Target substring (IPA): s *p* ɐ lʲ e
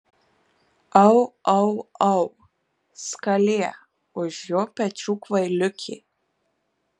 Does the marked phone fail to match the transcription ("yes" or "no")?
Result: yes